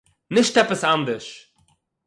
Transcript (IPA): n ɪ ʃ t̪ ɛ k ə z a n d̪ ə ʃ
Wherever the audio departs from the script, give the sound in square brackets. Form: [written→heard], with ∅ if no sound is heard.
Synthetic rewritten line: n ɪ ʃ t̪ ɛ [k→p] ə [z→s] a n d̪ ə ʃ